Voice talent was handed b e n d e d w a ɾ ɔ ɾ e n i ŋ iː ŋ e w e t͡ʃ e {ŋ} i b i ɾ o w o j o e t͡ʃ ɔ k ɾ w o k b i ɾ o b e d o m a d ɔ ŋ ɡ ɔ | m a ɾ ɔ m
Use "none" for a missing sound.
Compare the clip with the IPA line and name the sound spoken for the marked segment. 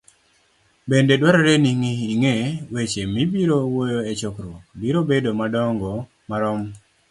m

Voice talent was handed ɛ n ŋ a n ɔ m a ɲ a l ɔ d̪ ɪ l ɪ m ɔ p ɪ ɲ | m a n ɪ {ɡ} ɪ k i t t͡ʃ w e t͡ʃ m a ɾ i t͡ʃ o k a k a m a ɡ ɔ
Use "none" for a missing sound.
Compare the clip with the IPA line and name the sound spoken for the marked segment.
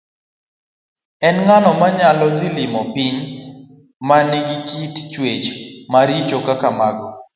ɡ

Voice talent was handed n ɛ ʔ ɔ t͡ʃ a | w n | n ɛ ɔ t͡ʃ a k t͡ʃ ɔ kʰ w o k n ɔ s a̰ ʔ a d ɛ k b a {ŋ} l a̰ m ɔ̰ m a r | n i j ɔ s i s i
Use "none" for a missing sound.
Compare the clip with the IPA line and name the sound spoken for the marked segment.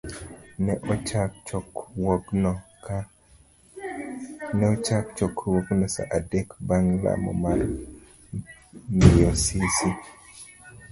ŋ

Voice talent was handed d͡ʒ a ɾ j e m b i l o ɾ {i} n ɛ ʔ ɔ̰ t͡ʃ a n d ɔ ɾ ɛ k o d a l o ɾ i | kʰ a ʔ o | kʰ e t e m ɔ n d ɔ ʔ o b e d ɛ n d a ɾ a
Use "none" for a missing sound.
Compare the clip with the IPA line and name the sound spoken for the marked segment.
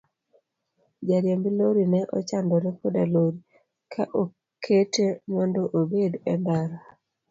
i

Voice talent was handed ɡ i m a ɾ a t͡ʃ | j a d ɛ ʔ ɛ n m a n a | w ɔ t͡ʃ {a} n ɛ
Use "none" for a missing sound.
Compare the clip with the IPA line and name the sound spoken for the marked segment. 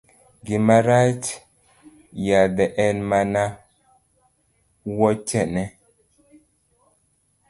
ɛ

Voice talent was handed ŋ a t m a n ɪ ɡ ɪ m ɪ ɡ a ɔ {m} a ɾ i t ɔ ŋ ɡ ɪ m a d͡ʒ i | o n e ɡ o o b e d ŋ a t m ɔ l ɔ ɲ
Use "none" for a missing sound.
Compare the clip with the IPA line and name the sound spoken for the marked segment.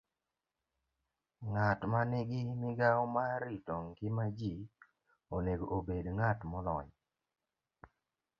m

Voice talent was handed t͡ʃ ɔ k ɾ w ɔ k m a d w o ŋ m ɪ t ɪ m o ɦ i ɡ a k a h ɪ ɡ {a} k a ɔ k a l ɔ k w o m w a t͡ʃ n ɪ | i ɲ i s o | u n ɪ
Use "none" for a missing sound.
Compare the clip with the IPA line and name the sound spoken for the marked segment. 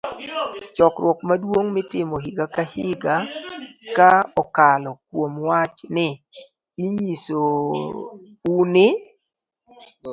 a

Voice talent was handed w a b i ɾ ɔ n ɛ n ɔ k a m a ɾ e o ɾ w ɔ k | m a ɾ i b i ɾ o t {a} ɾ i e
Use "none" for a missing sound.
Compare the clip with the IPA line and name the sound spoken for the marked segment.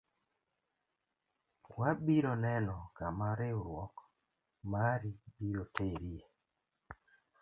e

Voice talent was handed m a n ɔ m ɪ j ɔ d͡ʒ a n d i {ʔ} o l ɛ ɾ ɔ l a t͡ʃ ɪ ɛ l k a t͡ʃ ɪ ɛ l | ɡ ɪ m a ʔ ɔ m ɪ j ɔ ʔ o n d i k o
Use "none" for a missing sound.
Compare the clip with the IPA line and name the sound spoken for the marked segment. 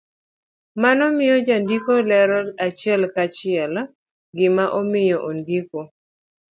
k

